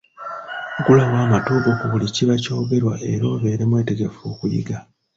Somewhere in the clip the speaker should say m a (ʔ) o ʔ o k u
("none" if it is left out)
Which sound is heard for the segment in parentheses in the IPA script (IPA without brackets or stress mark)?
t